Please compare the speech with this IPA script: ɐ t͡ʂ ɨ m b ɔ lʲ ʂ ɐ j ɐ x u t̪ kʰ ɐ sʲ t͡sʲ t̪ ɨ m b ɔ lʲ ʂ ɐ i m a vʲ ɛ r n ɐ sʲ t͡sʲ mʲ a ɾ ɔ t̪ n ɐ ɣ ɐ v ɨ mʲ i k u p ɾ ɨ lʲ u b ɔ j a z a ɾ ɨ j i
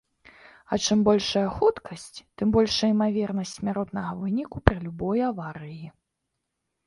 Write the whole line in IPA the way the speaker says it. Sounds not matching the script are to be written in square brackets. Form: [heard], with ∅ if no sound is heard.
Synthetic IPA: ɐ t͡ʂ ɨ m b ɔ lʲ ʂ ɐ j ɐ x u t̪ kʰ ɐ sʲ t͡sʲ t̪ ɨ m b ɔ lʲ ʂ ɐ i m a vʲ ɛ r n ɐ sʲ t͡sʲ mʲ a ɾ ɔ t̪ n ɐ ɣ ɐ v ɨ [nʲ] i k u p ɾ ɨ lʲ u b ɔ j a [v] a ɾ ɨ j i